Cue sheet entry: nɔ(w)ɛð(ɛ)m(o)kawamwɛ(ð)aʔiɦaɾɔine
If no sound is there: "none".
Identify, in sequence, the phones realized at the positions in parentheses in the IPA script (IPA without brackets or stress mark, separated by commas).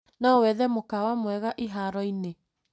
w, ɛ, o, ɣ